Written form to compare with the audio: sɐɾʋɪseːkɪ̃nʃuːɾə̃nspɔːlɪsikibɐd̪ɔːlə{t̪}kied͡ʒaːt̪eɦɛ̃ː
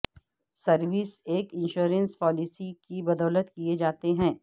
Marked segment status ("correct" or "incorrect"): correct